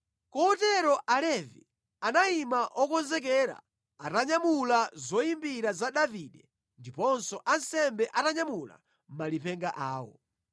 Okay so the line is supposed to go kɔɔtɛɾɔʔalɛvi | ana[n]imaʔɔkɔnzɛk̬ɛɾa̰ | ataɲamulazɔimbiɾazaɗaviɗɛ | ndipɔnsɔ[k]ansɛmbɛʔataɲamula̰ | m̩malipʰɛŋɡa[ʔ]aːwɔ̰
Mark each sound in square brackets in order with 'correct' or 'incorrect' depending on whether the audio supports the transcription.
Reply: incorrect: none, incorrect: ʔ, correct

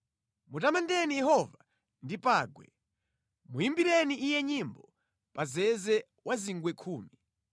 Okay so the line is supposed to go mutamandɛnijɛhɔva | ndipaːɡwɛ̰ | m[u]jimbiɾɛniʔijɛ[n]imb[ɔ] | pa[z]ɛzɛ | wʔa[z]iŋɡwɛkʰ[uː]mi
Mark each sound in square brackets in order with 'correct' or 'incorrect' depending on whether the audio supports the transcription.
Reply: correct, incorrect: ɲ, correct, correct, correct, correct

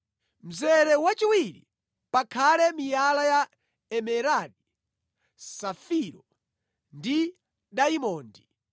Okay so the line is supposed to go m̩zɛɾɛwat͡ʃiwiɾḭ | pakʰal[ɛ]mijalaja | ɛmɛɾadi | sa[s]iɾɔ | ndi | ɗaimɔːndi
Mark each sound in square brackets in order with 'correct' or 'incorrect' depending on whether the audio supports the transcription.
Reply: correct, incorrect: f

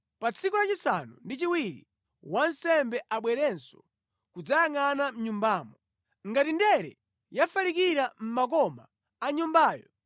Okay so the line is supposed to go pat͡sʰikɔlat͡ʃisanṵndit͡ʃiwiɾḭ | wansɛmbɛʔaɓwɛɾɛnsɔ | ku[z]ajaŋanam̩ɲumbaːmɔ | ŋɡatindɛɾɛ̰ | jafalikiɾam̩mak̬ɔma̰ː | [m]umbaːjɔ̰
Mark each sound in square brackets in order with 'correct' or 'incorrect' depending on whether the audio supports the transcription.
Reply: incorrect: d͡z, incorrect: ɲ

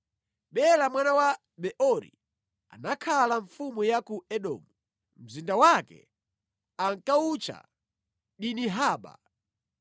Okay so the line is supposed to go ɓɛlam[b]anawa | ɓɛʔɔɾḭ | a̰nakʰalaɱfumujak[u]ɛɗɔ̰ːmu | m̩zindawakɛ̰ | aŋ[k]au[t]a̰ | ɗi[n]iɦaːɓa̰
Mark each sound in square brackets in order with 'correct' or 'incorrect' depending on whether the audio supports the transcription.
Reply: incorrect: w, correct, correct, incorrect: t͡ʃ, correct

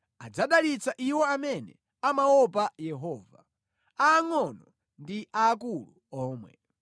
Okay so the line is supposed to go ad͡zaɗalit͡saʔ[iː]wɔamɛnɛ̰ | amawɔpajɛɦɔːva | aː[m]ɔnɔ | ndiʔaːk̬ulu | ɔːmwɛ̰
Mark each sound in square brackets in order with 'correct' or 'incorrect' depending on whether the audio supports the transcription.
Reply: incorrect: i, incorrect: ŋ

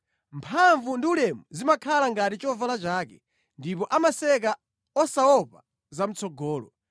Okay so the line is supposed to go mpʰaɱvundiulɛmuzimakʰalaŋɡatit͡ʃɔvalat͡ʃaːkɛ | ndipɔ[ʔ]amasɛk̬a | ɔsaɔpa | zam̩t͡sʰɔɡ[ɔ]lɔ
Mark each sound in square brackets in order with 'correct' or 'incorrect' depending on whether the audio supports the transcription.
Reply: correct, incorrect: ɔː

